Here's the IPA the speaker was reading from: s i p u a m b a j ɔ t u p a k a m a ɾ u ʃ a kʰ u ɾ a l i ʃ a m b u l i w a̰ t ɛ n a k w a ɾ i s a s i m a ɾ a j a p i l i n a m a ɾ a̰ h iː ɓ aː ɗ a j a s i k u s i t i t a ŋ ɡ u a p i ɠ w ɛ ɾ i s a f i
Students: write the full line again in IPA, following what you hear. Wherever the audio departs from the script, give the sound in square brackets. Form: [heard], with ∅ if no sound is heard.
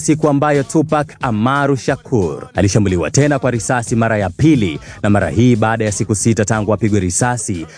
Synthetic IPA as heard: s i [k] u a m b a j ɔ t u p a k a m a ɾ u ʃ a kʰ u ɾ a l i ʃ a m b u l i w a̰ t ɛ n a k w a ɾ i s a s i m a ɾ a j a p i l i n a m a ɾ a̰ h iː ɓ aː ɗ a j a s i k u s i t [a] t a ŋ ɡ u a p i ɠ w ɛ ɾ i s a [s] i